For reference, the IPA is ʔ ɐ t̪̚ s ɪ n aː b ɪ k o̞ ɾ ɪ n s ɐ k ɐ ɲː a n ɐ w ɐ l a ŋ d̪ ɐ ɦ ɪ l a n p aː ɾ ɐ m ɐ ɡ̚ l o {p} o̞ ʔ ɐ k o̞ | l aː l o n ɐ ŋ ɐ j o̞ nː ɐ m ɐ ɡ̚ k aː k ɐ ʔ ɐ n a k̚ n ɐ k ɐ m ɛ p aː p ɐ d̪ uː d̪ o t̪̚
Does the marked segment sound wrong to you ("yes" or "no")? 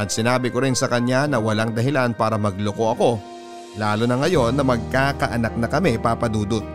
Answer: yes